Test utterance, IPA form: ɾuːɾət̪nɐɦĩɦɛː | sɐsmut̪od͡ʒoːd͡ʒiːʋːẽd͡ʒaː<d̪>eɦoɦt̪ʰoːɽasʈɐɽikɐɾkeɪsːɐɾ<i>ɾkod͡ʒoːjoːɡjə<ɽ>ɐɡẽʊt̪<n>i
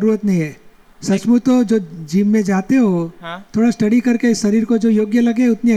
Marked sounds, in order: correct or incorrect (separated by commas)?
incorrect, incorrect, incorrect, correct